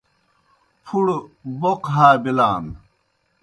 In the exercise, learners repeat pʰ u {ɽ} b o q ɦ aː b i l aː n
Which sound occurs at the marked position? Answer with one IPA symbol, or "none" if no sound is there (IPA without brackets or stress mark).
ɽ